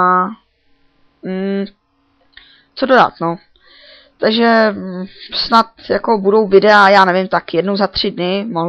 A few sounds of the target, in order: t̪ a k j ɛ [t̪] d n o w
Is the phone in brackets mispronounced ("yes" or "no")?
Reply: yes